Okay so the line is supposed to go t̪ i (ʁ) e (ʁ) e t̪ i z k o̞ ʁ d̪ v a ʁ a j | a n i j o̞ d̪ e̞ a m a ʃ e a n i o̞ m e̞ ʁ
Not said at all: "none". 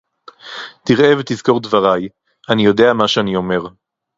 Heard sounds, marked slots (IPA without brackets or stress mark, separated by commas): ʁ, v